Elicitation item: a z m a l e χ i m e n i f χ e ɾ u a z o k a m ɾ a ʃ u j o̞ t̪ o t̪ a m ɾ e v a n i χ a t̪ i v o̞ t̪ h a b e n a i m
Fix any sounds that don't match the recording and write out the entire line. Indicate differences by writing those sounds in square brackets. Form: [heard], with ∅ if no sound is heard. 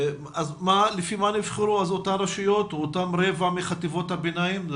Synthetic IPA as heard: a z m a l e [f] i m [a] n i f χ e ɾ u a z o [t] a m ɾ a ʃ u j o̞ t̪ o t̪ a m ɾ e v a [m] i χ a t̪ i v o̞ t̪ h a b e n a i m

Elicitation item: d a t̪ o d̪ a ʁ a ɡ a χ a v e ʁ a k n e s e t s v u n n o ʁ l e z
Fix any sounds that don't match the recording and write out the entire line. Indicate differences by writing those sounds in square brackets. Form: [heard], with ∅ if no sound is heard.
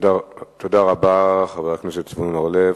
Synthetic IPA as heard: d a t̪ o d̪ a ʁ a [b] a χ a v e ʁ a k n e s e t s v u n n o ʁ l e [v]

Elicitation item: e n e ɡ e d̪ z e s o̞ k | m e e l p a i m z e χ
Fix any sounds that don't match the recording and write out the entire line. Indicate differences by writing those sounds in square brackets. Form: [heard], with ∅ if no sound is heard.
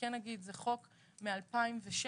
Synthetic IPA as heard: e n [a] ɡ [i] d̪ z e [χ] o̞ k | m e [a] l p a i m [v] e [ʃ]

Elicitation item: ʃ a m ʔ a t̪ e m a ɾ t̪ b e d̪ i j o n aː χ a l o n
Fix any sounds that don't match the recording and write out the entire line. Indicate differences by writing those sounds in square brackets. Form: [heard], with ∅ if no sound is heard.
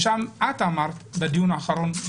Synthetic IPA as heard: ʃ a m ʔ a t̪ [a] m a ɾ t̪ b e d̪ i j [u] n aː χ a [ɾ] o n

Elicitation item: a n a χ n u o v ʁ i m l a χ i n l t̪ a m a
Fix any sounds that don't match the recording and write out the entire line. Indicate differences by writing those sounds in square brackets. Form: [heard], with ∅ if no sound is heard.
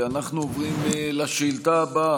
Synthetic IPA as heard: a n a χ n u o v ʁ i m l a [ʃ] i [∅] l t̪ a [b] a

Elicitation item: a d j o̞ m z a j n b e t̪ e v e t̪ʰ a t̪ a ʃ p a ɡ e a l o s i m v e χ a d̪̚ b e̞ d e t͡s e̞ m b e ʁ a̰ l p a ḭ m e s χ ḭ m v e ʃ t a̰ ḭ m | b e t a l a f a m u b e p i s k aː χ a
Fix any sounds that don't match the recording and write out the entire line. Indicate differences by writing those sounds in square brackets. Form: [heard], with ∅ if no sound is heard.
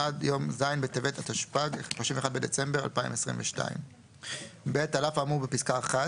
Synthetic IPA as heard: a d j o̞ m z a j n b e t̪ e v e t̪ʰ a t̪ a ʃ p a ɡ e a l o [ʃ] i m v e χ a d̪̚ b e̞ d e t͡s e̞ m b e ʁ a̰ l p a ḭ m e s [ʁ] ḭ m v e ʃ t a̰ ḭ m | b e t a l a f a m u b e p i s k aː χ a

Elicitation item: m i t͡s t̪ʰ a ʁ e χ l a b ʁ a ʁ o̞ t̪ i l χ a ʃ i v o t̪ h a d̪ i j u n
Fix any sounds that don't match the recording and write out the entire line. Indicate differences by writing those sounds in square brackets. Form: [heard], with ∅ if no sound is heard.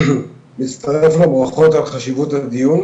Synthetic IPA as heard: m i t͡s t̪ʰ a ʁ e [f] l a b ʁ a [χ] o̞ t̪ [a] l χ a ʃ i v [u] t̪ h a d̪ i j u n

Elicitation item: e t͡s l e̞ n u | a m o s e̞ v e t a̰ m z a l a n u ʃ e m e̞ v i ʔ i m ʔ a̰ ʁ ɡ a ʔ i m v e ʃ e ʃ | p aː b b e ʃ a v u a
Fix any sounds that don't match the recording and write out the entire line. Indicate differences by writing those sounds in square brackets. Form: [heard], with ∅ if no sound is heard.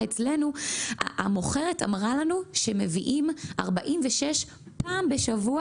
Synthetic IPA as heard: e t͡s l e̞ n u | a m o [χ] e̞ [ʁ] e t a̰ m [ʁ] a l a n u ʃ e m e̞ v i ʔ i m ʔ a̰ ʁ [b] a ʔ i m v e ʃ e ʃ | p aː [m] b e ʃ a v u a

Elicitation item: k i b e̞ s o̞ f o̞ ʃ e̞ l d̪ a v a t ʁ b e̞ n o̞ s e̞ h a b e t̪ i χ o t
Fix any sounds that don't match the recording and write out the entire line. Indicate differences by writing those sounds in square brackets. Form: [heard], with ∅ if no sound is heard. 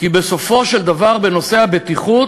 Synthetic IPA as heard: k i b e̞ s o̞ f o̞ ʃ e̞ l d̪ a v a [∅] ʁ b e̞ n o̞ s e̞ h a b e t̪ i χ [u] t

